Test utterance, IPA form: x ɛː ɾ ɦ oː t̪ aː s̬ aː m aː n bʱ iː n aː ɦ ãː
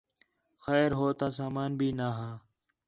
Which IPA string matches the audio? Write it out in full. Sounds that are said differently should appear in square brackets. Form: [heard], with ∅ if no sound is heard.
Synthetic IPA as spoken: x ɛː ɾ ɦ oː t̪ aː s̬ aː m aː n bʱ iː n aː ɦ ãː